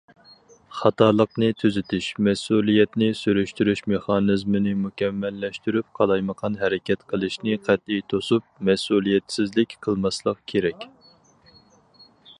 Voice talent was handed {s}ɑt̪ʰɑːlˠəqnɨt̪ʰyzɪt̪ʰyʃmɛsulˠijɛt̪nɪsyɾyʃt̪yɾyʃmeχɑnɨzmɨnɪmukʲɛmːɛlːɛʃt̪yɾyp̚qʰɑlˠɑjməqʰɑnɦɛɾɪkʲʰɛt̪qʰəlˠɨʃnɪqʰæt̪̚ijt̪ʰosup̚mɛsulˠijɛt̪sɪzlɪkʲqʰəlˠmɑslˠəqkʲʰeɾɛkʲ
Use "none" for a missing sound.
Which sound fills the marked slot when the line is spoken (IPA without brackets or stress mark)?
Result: χ